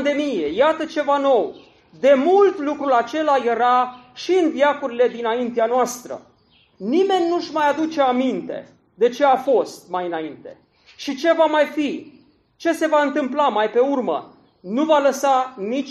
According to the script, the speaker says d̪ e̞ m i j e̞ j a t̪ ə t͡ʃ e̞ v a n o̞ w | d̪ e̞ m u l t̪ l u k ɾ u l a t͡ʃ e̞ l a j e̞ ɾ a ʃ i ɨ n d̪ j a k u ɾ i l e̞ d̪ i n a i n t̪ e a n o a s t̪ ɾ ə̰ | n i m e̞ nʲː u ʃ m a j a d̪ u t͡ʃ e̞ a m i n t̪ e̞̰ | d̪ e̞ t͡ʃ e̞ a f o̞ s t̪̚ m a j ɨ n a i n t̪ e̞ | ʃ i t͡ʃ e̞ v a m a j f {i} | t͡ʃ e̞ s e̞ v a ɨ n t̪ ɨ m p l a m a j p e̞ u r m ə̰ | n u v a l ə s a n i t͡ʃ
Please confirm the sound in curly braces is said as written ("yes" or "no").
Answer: yes